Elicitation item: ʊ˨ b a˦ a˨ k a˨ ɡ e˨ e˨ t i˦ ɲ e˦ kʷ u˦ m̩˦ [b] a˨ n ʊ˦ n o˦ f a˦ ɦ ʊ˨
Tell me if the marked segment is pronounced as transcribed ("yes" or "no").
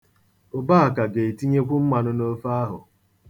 no